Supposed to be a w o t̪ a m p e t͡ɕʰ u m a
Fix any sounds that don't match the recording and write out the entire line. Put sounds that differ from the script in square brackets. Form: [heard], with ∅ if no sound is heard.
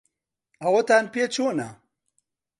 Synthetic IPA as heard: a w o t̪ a [n] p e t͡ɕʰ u [n] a